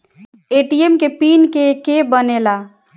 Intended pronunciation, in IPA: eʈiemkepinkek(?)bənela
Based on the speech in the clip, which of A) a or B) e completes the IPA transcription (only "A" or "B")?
B